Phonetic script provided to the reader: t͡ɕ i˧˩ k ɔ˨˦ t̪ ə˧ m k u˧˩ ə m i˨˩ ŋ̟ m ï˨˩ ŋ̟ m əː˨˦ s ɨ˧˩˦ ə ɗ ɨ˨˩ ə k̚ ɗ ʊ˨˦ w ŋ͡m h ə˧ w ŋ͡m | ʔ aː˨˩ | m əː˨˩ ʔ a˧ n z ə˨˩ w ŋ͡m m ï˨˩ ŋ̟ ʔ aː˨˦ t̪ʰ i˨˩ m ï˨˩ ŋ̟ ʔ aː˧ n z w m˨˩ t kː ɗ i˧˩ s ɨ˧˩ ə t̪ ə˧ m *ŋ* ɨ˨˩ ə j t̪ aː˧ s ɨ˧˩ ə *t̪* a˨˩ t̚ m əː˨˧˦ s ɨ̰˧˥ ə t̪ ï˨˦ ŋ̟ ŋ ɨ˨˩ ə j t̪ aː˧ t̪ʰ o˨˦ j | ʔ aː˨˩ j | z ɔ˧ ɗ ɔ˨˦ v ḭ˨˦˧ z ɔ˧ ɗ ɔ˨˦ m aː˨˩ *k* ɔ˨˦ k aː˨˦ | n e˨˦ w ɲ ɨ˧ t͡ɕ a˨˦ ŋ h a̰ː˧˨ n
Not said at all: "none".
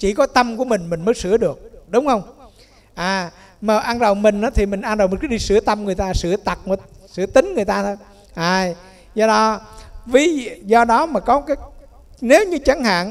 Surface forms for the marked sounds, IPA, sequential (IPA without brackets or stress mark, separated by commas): ŋ, t̪, k